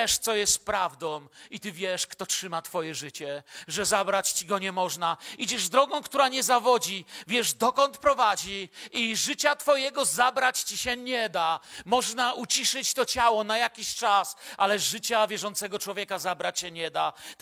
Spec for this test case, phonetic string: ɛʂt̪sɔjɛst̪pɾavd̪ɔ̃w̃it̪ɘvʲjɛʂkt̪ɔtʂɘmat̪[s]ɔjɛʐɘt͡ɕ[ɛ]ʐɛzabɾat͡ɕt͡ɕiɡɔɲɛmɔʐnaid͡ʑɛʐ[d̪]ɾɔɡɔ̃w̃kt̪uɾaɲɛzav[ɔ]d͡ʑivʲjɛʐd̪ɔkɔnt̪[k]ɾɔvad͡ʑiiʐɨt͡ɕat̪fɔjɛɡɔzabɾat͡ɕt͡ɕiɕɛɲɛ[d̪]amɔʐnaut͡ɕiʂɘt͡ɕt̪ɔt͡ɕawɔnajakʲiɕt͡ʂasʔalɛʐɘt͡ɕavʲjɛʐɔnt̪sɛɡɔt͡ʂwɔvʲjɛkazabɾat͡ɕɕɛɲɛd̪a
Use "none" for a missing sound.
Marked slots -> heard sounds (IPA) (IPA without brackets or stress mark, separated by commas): f, ɛ, d̪, ɔ, p, d̪